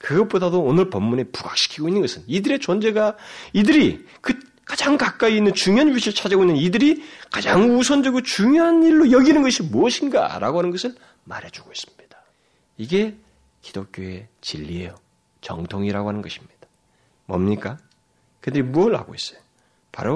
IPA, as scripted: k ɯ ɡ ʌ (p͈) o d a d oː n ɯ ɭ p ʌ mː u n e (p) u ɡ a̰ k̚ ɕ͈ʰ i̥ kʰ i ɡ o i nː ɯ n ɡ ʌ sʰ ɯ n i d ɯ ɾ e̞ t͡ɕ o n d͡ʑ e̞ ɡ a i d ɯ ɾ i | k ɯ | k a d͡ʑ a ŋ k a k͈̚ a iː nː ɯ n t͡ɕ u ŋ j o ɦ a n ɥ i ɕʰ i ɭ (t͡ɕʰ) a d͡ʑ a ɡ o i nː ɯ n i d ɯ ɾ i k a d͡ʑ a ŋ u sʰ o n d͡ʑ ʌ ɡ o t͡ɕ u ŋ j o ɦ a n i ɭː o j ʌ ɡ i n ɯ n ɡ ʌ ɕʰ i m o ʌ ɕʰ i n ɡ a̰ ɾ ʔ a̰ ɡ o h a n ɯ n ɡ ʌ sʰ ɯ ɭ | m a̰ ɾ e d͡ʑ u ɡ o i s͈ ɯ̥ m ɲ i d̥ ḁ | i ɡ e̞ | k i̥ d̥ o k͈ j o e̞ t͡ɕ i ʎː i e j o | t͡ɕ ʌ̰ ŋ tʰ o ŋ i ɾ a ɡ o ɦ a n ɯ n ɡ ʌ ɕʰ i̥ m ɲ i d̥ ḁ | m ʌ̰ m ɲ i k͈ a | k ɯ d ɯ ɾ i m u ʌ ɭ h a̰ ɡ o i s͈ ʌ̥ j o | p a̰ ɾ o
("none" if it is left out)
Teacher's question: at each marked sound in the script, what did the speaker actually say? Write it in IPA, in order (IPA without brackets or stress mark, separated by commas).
p͈, p, t͡ɕʰ